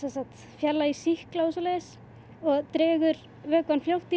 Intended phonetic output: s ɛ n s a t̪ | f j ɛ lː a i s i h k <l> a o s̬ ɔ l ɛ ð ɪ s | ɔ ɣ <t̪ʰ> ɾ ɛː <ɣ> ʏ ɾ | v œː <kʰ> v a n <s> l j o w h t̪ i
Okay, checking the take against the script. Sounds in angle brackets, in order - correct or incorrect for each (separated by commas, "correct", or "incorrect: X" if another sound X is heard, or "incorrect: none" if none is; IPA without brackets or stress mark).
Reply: correct, incorrect: t̪, correct, incorrect: k, incorrect: f